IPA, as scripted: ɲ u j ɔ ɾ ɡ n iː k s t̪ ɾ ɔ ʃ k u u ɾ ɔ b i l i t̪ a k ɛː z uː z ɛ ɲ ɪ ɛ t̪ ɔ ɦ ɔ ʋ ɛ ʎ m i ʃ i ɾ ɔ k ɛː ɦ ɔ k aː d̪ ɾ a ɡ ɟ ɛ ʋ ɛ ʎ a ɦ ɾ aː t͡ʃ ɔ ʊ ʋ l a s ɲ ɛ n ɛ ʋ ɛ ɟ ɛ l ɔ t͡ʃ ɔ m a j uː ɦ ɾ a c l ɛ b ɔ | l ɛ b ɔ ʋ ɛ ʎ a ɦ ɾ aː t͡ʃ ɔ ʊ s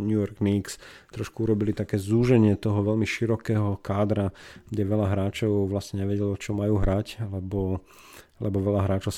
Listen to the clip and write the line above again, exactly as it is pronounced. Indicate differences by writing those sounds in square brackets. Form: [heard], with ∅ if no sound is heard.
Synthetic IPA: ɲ u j ɔ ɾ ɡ n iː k s t̪ ɾ ɔ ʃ k u u ɾ ɔ b i l i t̪ a k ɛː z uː [ʒ] ɛ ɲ ɪ ɛ t̪ ɔ ɦ ɔ ʋ ɛ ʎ m i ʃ i ɾ ɔ k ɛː ɦ ɔ k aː d̪ ɾ a ɡ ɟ ɛ ʋ ɛ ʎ a ɦ ɾ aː t͡ʃ ɔ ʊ ʋ l a s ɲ ɛ [ɲ] ɛ ʋ ɛ ɟ ɛ l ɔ t͡ʃ ɔ m a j uː ɦ ɾ a c l ɛ b ɔ | l ɛ b ɔ ʋ ɛ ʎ a ɦ ɾ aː t͡ʃ ɔ ʊ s